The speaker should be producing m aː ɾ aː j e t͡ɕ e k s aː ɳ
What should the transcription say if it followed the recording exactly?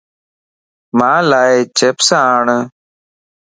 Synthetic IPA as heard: m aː l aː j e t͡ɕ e p s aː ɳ